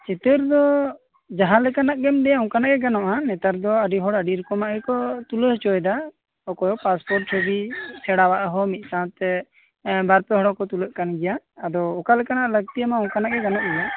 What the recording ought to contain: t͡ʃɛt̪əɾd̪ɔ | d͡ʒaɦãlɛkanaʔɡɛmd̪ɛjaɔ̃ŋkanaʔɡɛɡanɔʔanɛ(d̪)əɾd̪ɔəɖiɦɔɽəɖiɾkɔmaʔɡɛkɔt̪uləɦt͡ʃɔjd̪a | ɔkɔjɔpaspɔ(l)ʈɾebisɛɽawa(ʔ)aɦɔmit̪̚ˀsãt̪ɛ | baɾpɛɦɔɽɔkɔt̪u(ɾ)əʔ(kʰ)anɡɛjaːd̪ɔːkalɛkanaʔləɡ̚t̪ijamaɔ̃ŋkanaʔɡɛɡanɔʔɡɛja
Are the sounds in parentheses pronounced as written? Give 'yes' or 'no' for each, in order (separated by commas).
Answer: no, no, yes, no, no